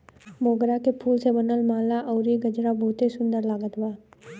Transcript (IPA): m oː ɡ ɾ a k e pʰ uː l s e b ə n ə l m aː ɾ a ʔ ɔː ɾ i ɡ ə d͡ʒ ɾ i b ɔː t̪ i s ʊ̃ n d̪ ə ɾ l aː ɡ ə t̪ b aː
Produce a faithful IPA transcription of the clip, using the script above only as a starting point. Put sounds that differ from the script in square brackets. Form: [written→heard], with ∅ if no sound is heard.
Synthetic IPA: m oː ɡ ɾ a k e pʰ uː l s e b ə n ə l m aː [ɾ→l] a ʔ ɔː ɾ i ɡ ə d͡ʒ ɾ [i→a] b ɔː t̪ i s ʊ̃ n d̪ ə ɾ l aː ɡ ə t̪ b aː